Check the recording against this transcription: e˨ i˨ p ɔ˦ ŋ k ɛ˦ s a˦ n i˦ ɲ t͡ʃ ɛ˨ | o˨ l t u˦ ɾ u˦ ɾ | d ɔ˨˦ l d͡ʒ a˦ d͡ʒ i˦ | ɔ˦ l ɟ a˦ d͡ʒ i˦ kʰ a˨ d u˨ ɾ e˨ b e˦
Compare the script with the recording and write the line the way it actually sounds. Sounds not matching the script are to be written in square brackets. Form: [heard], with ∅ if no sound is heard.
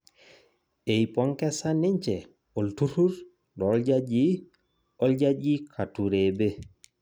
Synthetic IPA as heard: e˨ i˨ p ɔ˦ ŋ k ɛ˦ s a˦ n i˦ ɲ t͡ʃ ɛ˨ | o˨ l t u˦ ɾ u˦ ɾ | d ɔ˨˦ l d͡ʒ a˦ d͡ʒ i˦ | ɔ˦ l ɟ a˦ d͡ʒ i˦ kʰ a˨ [t] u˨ ɾ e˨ b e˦